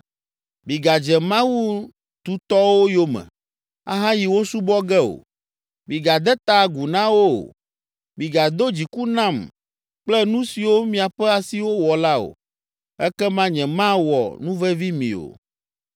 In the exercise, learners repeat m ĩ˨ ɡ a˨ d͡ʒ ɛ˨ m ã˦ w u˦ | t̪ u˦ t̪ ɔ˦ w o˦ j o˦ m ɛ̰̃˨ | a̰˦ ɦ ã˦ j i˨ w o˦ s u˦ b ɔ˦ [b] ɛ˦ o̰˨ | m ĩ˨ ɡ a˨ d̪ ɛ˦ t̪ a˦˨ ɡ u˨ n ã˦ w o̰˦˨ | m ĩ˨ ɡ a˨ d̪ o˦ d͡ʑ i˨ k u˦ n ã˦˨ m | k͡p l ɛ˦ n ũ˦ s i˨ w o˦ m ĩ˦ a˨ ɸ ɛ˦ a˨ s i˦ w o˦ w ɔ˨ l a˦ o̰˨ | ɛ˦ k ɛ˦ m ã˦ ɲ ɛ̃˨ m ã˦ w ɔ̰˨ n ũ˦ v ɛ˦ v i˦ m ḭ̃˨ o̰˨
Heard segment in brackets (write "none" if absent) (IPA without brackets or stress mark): ɡ